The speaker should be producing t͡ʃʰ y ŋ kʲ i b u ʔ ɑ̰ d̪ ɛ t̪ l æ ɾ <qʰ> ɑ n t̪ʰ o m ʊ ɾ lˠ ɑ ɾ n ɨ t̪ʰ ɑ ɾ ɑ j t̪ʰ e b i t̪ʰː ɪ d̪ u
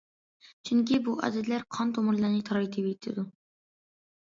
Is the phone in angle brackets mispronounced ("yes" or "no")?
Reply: no